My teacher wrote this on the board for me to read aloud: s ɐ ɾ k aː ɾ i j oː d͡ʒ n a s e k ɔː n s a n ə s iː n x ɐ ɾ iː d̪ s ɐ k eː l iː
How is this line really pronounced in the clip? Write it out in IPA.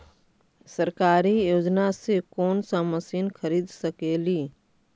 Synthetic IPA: s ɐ ɾ k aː ɾ i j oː d͡ʒ n a s e k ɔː n s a m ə s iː n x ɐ ɾ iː d̪ s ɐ k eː l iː